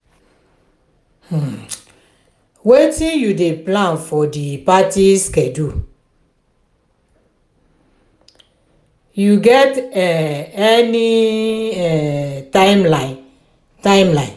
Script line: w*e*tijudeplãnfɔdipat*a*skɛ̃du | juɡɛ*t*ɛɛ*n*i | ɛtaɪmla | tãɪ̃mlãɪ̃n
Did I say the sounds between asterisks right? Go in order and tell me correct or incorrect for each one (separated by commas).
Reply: correct, incorrect, correct, correct